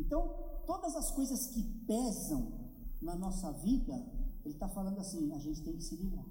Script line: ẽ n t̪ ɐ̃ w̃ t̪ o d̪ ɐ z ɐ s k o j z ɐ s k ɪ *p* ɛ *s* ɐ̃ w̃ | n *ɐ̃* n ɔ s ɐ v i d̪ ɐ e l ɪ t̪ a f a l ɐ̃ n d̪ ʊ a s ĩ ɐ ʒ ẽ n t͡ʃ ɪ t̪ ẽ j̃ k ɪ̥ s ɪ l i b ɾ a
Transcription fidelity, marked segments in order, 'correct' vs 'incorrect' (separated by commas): correct, incorrect, incorrect